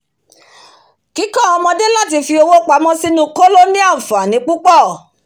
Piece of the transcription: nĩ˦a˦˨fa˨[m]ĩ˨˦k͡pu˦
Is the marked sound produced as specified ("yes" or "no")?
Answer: no